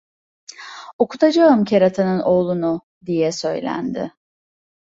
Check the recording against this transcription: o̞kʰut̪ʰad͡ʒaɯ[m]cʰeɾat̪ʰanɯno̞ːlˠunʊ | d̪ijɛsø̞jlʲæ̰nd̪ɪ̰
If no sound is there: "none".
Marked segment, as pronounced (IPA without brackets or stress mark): m